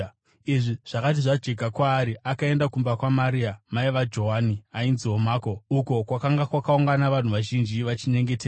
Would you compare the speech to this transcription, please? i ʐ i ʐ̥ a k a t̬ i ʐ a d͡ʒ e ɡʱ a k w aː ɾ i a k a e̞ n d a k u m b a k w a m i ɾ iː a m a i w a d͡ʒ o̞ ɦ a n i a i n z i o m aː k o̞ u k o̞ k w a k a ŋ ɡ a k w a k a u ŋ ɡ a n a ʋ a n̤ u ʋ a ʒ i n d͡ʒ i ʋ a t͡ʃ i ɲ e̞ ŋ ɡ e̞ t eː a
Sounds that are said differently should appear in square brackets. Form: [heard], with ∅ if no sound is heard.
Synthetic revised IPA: i ʐ i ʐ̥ a k a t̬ i ʐ a d͡ʒ e ɡʱ a k w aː ɾ i a k a e̞ n d a k u m b a k w a m [a] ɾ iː a m a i [ʋ] a d͡ʒ o̞ ɦ a n i a i n z i o m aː k o̞ u k o̞ k w a k a ŋ ɡ a k w a k a u ŋ ɡ a n a ʋ a n̤ u ʋ a ʒ i n d͡ʒ i ʋ a t͡ʃ i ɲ e̞ ŋ ɡ e̞ t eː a